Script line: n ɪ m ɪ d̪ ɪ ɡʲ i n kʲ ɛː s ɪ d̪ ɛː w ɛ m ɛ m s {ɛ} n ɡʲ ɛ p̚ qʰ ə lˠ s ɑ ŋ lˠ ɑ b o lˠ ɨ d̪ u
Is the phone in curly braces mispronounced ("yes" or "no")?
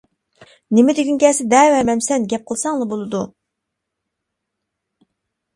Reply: no